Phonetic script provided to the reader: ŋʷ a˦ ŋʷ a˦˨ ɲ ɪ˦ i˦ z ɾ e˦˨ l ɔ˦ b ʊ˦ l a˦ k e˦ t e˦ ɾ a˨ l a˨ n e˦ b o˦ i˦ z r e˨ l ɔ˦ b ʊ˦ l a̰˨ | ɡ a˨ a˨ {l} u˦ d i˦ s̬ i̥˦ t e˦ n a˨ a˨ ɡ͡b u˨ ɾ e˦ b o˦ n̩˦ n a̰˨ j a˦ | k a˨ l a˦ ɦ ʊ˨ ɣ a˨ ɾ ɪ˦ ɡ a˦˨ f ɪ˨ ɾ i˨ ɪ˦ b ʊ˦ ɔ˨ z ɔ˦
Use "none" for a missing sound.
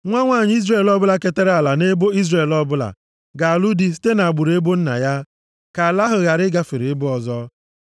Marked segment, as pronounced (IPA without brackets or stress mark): l